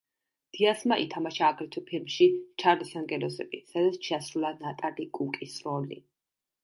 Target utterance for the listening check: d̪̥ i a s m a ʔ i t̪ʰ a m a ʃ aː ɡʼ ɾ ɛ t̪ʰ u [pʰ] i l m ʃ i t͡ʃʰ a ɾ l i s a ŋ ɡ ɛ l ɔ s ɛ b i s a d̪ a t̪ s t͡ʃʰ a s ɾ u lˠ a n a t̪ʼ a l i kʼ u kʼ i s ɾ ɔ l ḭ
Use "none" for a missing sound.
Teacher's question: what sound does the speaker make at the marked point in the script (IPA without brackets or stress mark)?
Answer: pʰ